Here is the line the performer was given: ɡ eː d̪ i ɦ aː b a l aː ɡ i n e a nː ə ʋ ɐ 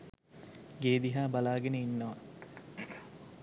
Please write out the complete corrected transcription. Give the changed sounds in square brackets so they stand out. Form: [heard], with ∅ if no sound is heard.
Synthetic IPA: ɡ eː d̪ i ɦ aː b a l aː ɡ [e] n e [i] nː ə ʋ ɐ